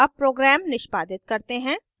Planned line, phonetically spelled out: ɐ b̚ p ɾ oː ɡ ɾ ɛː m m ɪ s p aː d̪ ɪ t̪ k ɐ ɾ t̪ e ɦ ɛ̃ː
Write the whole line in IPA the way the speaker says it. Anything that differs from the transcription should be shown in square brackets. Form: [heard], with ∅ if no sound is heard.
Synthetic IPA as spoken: ɐ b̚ p ɾ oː ɡ ɾ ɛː m [n] ɪ [ʃ] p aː d̪ ɪ t̪ k ɐ ɾ t̪ e ɦ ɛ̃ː